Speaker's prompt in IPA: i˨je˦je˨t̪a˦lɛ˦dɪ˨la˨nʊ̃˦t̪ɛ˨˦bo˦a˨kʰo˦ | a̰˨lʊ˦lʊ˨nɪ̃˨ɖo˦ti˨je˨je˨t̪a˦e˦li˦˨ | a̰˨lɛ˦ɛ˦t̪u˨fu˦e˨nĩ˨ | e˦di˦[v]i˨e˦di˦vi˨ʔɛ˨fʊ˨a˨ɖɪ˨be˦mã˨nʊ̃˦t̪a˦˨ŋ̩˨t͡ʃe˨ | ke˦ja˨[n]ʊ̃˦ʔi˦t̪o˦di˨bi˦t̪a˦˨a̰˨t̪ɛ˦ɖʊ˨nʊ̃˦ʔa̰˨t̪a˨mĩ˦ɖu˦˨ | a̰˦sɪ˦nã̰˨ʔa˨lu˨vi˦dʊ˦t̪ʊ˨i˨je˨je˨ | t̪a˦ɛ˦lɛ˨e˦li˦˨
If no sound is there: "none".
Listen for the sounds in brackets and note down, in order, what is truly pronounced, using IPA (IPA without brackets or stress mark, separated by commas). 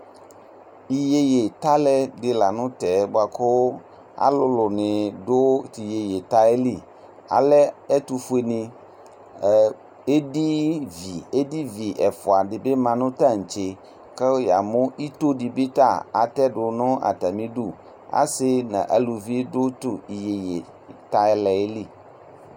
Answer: v, m